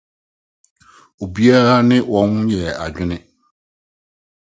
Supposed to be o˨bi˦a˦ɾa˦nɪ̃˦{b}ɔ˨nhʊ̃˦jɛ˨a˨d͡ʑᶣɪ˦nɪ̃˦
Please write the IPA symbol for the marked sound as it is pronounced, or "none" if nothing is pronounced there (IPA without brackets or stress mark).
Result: w